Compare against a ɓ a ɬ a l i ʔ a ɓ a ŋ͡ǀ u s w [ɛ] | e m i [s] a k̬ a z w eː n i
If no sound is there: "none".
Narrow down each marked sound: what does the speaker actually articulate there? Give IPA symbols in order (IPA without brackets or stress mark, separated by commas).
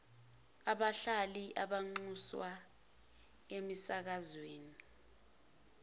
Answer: a, s